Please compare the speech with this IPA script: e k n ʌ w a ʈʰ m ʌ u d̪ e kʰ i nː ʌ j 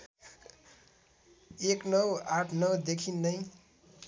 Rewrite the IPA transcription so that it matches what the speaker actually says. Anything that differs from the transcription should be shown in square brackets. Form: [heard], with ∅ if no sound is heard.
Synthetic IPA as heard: e k n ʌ w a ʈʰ [n] ʌ [w] d̪ e kʰ i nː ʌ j